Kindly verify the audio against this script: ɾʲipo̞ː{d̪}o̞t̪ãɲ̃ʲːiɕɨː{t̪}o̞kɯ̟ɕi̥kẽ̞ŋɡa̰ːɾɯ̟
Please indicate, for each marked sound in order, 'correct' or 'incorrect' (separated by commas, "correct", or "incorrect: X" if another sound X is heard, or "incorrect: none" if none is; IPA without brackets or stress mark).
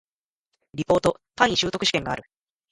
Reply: incorrect: t̪, correct